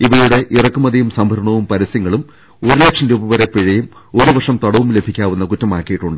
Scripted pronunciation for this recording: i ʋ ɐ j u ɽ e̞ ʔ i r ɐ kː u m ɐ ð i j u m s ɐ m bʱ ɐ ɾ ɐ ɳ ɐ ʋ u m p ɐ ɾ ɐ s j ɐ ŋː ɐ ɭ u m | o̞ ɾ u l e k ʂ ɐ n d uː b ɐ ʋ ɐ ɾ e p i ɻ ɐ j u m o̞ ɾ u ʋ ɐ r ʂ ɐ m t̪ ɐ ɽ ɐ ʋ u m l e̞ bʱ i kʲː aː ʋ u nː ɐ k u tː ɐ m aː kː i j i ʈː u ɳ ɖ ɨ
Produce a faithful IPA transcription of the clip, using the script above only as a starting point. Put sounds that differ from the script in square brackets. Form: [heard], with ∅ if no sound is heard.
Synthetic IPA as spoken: i ʋ ɐ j u ɽ e̞ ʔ i r ɐ kː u m ɐ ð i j u m s ɐ m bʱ ɐ ɾ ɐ ɳ ɐ ʋ u m p ɐ ɾ ɐ s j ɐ ŋː ɐ ɭ u m | o̞ ɾ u l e k ʂ ɐ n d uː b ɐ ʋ ɐ ɾ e p i ɻ ɐ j u m o̞ ɾ u ʋ ɐ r ʂ ɐ m t̪ ɐ ɽ ɐ ʋ u m l e̞ bʱ i kʲː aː ʋ u nː ɐ k u tː ɐ m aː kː i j i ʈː u ɳ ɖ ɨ

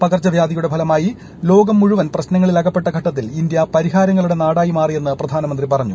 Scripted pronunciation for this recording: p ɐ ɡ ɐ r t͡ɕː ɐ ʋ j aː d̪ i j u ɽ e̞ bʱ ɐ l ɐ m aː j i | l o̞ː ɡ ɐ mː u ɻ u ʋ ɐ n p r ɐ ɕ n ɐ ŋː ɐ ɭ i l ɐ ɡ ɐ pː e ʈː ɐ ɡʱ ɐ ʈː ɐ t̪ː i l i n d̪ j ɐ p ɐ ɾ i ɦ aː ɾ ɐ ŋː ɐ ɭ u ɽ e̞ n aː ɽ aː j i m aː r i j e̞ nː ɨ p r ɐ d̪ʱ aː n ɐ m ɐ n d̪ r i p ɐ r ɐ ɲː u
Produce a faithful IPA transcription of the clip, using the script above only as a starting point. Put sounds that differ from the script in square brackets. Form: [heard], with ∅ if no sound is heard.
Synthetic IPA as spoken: p ɐ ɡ ɐ r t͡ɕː ɐ ʋ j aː d̪ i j u ɽ e̞ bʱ ɐ l ɐ m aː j i | l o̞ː ɡ ɐ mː u ɻ u ʋ ɐ n p r ɐ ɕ n ɐ ŋː ɐ ɭ i l ɐ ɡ ɐ pː e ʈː ɐ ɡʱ ɐ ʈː ɐ t̪ː i l i n d̪ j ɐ p ɐ ɾ i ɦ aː ɾ ɐ ŋː ɐ ɭ u ɽ e̞ n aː ɽ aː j i m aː r i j e̞ nː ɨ p r ɐ d̪ʱ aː n ɐ m ɐ n d̪ r i p ɐ r ɐ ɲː u

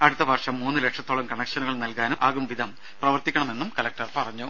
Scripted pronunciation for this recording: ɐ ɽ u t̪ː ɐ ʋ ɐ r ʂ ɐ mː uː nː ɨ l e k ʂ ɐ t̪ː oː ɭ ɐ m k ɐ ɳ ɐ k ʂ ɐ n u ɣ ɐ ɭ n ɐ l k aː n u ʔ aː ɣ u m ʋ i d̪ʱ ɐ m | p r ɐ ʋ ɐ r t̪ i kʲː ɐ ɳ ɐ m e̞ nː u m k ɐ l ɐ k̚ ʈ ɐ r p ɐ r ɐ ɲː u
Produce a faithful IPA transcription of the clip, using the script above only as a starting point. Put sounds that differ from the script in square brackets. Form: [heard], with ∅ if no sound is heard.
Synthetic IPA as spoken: ɐ ɽ u t̪ː ɐ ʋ ɐ r ʂ ɐ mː uː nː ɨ l e k ʂ ɐ t̪ː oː ɭ ɐ m k ɐ ɳ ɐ k ʂ ɐ n u ɣ ɐ ɭ n ɐ l k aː n u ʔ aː ɣ u m ʋ i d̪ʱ ɐ m | p r ɐ ʋ ɐ r t̪ i kʲː ɐ ɳ ɐ m e̞ nː u m k ɐ l ɐ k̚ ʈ ɐ r p ɐ r ɐ ɲː u

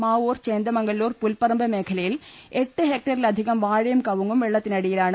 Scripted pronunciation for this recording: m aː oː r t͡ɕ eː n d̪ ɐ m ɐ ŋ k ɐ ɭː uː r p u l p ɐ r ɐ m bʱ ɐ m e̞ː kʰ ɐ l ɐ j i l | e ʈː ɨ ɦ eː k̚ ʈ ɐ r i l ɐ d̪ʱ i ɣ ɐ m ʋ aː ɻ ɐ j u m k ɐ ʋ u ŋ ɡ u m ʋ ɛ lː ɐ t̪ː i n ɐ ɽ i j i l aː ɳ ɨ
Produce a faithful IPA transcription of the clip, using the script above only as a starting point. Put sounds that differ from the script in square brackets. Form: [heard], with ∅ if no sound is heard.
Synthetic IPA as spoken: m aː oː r t͡ɕ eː n d̪ ɐ m ɐ ŋ [ɡ] ɐ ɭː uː r p u l p ɐ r ɐ m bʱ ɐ m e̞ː kʰ ɐ l ɐ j i l | e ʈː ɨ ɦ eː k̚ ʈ ɐ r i l ɐ d̪ʱ i ɣ ɐ m ʋ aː ɻ ɐ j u m k ɐ ʋ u ŋ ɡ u m ʋ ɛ [ɭː] ɐ t̪ː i n ɐ ɽ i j i l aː ɳ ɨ

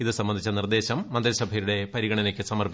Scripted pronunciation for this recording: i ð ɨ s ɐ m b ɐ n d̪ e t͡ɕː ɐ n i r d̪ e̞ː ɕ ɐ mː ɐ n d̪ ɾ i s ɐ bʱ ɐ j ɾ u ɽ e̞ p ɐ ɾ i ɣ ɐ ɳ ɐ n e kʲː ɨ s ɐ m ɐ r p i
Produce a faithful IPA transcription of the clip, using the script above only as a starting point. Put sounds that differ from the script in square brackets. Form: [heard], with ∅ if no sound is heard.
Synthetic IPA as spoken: i ð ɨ s ɐ m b ɐ n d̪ [i] t͡ɕː ɐ n i r d̪ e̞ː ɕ ɐ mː ɐ n d̪ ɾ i s ɐ bʱ ɐ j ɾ u ɽ e̞ p ɐ ɾ i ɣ ɐ ɳ ɐ n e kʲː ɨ s ɐ m ɐ r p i

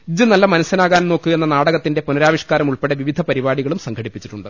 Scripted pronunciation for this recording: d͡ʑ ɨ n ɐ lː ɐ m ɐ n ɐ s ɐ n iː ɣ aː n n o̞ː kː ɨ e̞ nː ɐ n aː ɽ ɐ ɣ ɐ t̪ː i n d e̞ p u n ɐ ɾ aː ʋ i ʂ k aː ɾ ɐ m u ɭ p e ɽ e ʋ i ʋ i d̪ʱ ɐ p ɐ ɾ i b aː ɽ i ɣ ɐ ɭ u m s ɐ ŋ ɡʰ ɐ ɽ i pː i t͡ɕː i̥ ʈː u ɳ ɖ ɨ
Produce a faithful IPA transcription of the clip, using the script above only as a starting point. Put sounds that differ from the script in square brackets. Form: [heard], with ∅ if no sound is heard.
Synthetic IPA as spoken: d͡ʑ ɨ n ɐ lː ɐ m ɐ n ɐ s ɐ n [aː] ɣ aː n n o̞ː kː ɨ e̞ nː ɐ n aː ɽ ɐ ɣ ɐ t̪ː i n d e̞ p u n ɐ ɾ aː ʋ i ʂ k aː ɾ ɐ m u ɭ p e ɽ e ʋ i ʋ i d̪ʱ ɐ p ɐ ɾ i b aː ɽ i ɣ ɐ ɭ u m s ɐ ŋ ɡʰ ɐ ɽ i pː i t͡ɕː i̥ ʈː u ɳ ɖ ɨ

